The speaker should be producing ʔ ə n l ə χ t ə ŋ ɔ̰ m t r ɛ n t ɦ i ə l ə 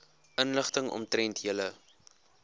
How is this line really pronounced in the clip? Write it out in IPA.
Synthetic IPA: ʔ ə n l ə χ t ə ŋ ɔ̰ m t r ɛ n t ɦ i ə l ə